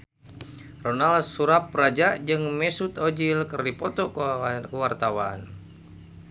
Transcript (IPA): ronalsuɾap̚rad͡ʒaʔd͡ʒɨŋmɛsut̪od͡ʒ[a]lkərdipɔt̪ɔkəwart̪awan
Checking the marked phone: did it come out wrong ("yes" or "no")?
yes